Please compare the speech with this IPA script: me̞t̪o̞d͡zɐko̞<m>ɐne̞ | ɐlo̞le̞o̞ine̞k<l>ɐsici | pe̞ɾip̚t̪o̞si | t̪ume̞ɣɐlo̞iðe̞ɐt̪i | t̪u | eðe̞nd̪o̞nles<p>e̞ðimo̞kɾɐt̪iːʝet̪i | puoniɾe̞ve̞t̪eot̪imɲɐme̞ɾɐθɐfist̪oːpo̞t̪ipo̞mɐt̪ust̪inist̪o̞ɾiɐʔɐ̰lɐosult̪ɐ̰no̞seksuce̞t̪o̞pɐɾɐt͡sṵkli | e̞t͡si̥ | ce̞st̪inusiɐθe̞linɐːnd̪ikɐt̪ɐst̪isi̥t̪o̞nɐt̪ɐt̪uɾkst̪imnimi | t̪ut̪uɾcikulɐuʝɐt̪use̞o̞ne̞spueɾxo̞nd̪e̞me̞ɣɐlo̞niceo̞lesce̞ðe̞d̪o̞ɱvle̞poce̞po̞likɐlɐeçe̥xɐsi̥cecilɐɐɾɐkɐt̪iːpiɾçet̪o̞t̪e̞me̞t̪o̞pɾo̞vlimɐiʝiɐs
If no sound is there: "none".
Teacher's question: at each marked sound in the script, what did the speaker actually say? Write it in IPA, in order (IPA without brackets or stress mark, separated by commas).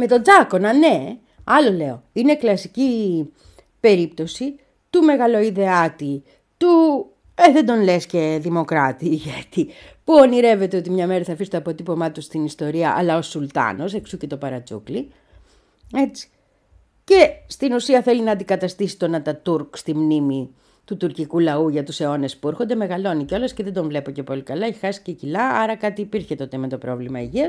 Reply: n, l, c